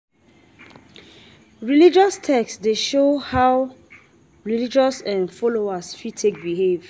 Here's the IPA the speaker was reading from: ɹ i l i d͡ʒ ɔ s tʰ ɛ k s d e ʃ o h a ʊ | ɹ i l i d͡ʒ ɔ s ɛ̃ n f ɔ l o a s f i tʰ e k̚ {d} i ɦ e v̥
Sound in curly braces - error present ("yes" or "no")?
yes